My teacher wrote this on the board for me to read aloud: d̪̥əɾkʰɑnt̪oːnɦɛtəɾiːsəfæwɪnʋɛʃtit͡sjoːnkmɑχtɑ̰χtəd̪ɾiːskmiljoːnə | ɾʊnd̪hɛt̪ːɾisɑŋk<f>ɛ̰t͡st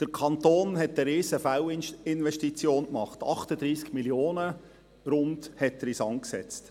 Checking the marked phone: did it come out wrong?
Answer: yes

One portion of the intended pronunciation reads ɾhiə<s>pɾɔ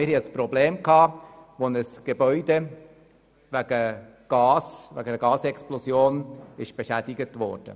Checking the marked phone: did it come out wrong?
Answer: no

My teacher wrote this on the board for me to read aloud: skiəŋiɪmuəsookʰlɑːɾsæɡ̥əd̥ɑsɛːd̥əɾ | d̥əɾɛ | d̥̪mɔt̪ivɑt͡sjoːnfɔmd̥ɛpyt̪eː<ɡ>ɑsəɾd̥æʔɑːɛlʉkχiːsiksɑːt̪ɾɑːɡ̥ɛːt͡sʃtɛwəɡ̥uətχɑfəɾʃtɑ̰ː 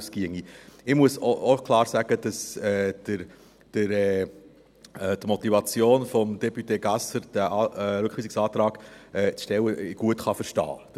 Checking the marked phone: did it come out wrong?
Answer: no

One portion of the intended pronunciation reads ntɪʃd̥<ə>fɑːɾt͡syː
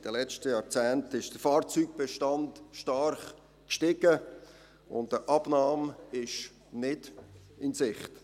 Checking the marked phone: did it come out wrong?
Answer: no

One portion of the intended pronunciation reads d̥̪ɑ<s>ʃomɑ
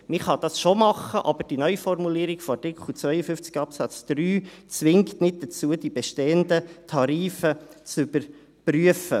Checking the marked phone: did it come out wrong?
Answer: no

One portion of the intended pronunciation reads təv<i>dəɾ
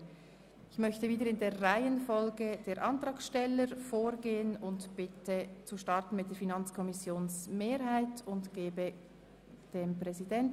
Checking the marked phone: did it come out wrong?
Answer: yes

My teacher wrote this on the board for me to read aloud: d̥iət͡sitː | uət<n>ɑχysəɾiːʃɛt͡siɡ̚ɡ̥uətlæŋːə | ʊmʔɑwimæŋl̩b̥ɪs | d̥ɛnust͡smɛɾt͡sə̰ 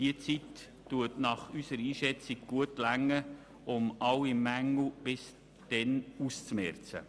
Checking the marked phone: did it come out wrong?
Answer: no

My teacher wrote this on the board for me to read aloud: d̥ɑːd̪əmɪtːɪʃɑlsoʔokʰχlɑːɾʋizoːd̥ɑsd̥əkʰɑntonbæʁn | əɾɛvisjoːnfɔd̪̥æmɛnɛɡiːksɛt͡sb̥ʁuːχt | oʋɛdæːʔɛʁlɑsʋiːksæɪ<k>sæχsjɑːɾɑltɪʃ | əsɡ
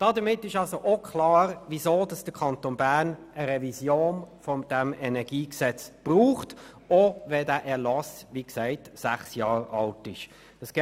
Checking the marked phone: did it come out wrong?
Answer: yes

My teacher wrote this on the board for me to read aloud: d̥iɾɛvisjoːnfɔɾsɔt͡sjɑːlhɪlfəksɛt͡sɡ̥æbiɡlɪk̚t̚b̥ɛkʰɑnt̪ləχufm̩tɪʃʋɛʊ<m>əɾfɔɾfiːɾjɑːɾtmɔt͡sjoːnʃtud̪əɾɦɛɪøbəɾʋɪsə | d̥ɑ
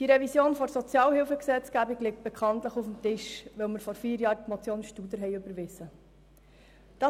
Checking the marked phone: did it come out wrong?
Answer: no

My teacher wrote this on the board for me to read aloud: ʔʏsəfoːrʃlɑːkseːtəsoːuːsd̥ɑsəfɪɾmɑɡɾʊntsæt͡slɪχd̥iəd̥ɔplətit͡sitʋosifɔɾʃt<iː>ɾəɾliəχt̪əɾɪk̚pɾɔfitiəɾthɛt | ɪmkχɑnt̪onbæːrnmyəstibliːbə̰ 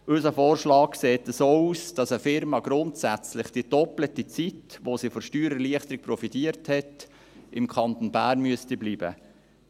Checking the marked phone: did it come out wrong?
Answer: yes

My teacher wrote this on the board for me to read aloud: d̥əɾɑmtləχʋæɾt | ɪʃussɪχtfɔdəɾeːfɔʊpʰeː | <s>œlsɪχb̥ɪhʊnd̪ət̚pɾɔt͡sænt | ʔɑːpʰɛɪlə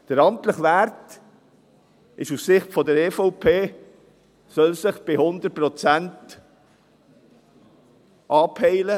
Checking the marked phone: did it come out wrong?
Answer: no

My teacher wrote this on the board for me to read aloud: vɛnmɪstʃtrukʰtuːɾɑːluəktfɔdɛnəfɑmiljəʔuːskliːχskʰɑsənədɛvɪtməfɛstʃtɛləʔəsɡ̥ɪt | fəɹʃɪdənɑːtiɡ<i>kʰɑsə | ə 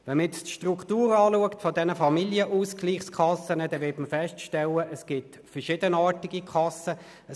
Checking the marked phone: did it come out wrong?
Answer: no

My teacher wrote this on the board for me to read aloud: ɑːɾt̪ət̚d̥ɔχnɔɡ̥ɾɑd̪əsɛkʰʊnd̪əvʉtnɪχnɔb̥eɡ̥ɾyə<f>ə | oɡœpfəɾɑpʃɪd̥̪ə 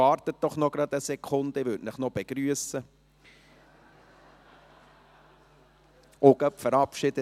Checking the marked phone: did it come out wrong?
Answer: yes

